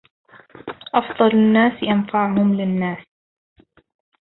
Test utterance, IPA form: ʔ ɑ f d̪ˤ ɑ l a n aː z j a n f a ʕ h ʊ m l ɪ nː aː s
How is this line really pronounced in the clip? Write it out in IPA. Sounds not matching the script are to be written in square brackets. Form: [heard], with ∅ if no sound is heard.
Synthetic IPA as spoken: ʔ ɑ f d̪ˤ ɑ l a [nː] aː [s] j a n f a ʕ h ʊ m l ɪ nː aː s